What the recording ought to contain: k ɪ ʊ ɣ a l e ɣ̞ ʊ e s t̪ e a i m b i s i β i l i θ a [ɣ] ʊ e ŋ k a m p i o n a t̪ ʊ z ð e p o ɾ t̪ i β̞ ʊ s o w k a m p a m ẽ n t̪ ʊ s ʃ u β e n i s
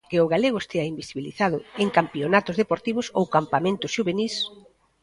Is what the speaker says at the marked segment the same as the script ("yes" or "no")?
no